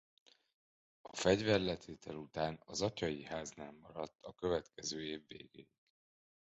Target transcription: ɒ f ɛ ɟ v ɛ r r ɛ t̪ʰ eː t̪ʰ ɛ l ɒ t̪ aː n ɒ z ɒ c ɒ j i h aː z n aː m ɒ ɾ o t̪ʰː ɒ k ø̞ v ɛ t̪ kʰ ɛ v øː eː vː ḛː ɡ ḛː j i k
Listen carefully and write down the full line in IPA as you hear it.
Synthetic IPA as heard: ɒ f ɛ ɟ v ɛ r l ɛ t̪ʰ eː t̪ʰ ɛ l u t̪ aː n ɒ z ɒ c ɒ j i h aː z n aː m ɒ ɾ ɒ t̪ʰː ɒ k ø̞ v ɛ t̪ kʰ ɛ z øː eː vː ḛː ɡ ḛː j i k